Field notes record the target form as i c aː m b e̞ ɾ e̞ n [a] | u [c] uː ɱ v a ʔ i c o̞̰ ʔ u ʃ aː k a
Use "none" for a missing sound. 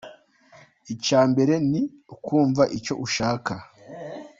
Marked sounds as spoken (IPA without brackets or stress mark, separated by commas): i, k